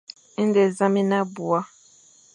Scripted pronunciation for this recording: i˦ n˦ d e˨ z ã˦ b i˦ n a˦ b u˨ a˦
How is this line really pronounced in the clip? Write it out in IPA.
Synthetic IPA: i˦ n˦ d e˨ z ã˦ m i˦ n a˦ b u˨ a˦

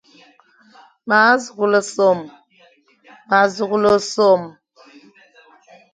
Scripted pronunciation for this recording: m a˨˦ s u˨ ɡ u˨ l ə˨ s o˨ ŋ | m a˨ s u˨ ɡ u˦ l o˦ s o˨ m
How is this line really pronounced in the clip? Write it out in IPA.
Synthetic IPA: m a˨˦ z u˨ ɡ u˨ l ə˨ s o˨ m | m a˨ z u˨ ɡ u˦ l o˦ s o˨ m

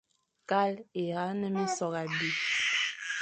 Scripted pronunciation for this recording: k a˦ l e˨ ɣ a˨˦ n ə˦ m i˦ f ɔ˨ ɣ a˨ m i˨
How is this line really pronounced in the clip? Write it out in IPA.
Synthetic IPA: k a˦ l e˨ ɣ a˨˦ n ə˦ m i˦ s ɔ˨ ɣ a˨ b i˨

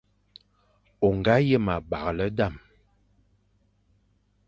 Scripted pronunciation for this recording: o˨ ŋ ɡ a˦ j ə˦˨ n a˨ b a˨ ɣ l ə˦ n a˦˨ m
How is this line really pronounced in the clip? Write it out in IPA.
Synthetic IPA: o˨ ŋ ɡ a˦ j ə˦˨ m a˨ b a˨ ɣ l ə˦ d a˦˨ m

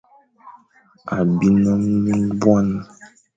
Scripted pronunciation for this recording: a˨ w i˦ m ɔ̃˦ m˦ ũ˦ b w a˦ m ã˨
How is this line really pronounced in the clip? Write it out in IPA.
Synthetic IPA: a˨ b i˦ n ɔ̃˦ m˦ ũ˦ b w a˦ n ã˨

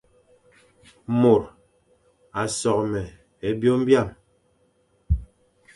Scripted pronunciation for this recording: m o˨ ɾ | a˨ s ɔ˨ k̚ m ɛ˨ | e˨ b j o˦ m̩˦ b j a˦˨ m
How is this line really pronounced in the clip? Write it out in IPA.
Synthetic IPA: m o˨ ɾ | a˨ s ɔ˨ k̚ m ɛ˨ | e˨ b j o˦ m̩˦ b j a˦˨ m

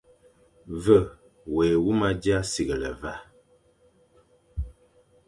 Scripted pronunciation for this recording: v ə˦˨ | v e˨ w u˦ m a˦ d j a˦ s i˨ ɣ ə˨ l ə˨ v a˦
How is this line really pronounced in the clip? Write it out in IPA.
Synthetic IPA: v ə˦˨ | w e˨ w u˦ m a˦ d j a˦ s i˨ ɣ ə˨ l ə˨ v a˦

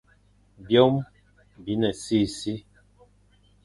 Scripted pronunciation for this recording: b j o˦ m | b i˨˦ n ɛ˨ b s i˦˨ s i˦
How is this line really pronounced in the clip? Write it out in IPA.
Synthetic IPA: b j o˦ m | b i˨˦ n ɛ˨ s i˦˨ s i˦

